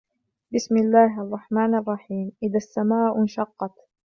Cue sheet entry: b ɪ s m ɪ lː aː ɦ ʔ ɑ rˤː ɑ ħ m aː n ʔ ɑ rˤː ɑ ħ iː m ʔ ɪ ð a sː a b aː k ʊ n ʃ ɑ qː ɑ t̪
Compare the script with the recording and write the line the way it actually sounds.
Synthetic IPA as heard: b ɪ s m ɪ lː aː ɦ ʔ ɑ rˤː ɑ ħ m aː n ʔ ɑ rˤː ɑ ħ iː m ʔ ɪ ð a sː a m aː ʔ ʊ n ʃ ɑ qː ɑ t̪